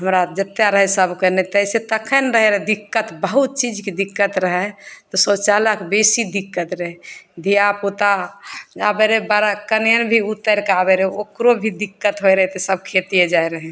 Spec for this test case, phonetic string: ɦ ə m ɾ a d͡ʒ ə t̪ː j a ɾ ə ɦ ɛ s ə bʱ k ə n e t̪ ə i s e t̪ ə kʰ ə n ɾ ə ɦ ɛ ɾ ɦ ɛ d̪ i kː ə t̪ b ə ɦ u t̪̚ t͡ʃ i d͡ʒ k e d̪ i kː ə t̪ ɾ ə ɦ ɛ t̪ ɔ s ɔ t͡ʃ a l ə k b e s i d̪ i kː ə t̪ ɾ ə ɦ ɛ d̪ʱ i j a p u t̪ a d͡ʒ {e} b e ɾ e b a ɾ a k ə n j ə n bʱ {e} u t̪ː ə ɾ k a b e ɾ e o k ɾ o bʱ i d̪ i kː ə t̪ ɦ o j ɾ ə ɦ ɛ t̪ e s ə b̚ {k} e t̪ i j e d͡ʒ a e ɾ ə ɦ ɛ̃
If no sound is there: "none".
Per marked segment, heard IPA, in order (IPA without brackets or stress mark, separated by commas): a, i, kʰ